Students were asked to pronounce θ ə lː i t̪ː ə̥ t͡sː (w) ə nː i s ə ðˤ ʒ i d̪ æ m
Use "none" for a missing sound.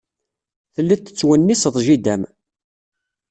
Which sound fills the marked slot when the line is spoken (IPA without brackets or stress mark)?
w